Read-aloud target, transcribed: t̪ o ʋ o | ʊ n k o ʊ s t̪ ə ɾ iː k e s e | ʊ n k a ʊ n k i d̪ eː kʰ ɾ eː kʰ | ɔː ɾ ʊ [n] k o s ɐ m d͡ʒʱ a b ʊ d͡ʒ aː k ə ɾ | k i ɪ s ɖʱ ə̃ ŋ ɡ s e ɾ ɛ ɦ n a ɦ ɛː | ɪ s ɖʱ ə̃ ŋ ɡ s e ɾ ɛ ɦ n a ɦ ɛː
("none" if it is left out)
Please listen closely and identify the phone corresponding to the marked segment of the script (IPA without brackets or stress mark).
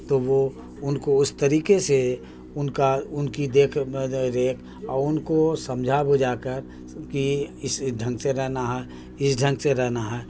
n